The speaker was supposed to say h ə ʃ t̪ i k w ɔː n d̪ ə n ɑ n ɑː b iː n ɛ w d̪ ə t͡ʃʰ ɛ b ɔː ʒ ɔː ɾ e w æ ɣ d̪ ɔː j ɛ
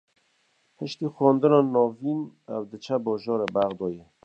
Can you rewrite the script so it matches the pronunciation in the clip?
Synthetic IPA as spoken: h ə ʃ t̪ i x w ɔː n d̪ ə n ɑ n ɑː v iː n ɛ w d̪ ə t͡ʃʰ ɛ b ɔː ʒ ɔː ɾ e b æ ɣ d̪ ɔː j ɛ